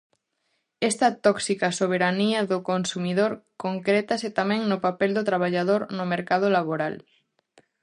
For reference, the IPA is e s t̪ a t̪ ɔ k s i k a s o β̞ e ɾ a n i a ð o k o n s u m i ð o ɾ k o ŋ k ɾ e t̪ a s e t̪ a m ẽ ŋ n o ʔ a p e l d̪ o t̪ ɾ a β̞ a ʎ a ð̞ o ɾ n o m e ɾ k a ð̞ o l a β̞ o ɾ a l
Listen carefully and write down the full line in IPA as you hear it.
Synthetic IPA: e s t̪ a t̪ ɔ k s i k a s o β̞ e ɾ a n i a ð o k o n s u m i ð o ɾ k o ŋ k ɾ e t̪ a s e t̪ a m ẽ ŋ n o p a p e l d̪ o t̪ ɾ a β̞ a ʎ a ð̞ o ɾ n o m e ɾ k a ð̞ o l a β̞ o ɾ a l

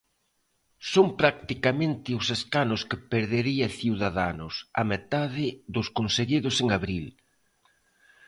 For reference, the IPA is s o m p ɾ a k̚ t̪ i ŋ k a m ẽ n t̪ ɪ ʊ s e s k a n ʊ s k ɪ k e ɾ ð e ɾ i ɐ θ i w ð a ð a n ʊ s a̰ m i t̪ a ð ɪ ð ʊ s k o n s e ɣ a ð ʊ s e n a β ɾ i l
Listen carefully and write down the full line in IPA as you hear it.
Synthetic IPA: s o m p ɾ a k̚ t̪ i k a m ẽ n t̪ ɪ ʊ s e s k a n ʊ s k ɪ p e ɾ ð e ɾ i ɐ θ i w ð a ð a n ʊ s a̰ m e t̪ a ð ɪ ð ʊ s k o n s e ɣ i ð ʊ s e ŋ a β ɾ i l

